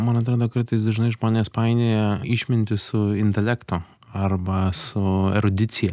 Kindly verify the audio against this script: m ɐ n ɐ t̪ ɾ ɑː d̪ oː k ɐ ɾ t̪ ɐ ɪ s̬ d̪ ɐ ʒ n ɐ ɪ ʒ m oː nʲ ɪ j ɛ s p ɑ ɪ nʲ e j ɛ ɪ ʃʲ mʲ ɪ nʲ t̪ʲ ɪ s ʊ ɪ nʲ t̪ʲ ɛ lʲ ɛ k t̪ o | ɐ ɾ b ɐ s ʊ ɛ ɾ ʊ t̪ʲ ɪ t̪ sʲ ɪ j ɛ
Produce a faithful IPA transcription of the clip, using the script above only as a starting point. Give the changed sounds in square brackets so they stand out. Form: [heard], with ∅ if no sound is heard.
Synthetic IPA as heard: m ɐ n ɐ t̪ ɾ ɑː d̪ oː k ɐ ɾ t̪ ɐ ɪ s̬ d̪ ɐ ʒ n ɐ ɪ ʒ m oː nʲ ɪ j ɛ s p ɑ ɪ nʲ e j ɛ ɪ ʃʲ mʲ ɪ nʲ t̪ʲ ɪ s ʊ ɪ nʲ t̪ʲ ɛ lʲ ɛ k t̪ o | ɐ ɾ b ɐ s ʊ ɛ ɾ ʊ [d̪ʲ] ɪ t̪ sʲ ɪ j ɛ